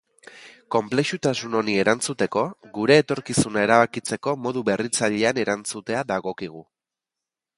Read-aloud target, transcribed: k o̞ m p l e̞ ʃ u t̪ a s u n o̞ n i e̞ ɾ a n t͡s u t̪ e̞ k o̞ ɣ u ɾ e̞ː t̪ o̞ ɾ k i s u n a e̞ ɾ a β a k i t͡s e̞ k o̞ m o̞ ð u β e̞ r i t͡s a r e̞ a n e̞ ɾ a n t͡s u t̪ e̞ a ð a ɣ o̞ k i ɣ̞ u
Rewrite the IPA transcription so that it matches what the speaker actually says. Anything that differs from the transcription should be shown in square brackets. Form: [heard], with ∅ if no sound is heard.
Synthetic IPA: k o̞ m p l e̞ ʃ u t̪ a s u n o̞ n i e̞ ɾ a n t͡s u t̪ e̞ k o̞ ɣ u ɾ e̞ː t̪ o̞ ɾ k i s u n a e̞ ɾ a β a k i t͡s e̞ k o̞ m o̞ ð u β e̞ r i t͡s a [ʎ] e̞ a n e̞ ɾ a n t͡s u t̪ e̞ a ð a ɣ o̞ k i ɣ̞ u